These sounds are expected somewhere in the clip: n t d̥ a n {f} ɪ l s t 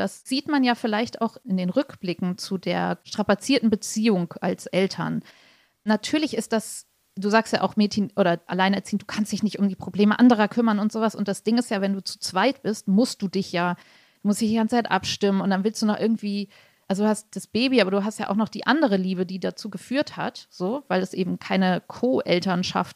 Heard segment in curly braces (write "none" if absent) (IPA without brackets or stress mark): v